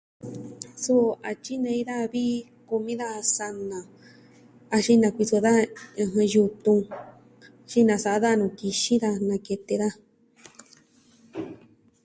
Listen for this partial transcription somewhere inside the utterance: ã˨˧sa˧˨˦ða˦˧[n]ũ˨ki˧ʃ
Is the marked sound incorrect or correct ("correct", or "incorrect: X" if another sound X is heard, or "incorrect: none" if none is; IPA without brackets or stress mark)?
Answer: correct